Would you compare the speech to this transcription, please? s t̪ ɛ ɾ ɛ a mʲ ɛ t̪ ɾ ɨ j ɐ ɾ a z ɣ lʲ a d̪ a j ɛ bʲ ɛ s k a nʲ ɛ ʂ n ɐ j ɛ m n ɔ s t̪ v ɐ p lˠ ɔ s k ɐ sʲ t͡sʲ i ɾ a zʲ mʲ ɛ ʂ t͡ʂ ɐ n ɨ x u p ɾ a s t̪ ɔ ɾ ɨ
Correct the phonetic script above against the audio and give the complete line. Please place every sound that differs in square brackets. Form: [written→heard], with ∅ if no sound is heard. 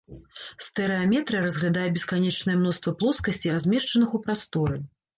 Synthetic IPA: s t̪ ɛ ɾ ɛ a mʲ ɛ t̪ ɾ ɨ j ɐ ɾ [a→ɐ] z ɣ lʲ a d̪ a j ɛ bʲ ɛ s k a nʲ ɛ [ʂ→t͡ʂ] n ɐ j ɛ m n ɔ s t̪ v ɐ p lˠ ɔ s k ɐ sʲ t͡sʲ i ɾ a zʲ mʲ ɛ ʂ t͡ʂ ɐ n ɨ x u p ɾ a s t̪ ɔ ɾ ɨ